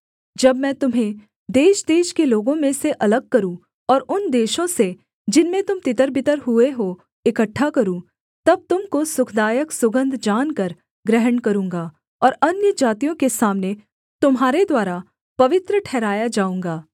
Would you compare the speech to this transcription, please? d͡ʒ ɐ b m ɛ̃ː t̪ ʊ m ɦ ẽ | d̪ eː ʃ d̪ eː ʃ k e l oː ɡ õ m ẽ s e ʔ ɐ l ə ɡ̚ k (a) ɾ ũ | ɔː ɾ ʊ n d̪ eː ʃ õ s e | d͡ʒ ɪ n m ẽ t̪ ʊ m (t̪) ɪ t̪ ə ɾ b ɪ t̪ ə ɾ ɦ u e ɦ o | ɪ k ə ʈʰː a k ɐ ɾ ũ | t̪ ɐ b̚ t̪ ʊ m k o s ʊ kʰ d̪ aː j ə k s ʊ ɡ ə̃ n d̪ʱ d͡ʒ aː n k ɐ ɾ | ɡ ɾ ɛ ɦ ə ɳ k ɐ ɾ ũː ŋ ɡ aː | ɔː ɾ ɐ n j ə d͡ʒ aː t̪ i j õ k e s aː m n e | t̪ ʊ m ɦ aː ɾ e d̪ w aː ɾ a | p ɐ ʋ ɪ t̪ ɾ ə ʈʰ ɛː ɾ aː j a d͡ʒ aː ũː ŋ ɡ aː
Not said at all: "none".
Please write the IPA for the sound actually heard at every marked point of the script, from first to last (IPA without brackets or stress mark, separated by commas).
ɐ, t̪